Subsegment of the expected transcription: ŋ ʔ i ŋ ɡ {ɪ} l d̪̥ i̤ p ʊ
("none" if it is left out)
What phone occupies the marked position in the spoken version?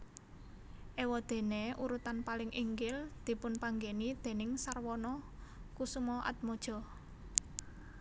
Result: ɪ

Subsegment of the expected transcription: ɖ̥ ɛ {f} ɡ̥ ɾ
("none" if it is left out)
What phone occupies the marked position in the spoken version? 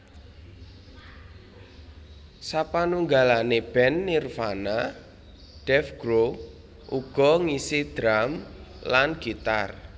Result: f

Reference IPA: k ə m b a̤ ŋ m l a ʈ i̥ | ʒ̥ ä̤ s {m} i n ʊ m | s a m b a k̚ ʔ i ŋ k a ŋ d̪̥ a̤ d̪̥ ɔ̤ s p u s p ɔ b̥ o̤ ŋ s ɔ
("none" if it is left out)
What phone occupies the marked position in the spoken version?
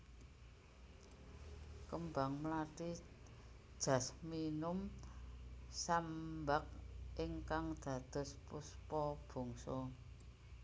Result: m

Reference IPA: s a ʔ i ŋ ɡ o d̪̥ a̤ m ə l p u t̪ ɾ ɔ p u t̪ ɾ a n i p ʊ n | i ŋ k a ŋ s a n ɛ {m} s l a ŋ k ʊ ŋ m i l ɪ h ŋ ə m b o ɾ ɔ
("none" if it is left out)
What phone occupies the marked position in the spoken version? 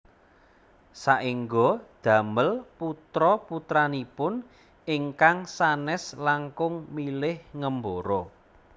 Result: none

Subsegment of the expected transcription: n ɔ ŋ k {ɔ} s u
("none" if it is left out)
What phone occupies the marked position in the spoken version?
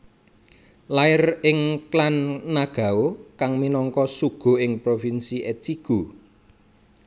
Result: ɔ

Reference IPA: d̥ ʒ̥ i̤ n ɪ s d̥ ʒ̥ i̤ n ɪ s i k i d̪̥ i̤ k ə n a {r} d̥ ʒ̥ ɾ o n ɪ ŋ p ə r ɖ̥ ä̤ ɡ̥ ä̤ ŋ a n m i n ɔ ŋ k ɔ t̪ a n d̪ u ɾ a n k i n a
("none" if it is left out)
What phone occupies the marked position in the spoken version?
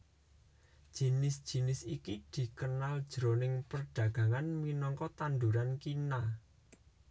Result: l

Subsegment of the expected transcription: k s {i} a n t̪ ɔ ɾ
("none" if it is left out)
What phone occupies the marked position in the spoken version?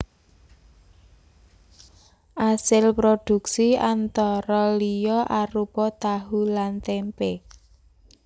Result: i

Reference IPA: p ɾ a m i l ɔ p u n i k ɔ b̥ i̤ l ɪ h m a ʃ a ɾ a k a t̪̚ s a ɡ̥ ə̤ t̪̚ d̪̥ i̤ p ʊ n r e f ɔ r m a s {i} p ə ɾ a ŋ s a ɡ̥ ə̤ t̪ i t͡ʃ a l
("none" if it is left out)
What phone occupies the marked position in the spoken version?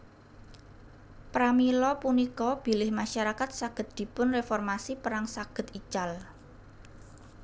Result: i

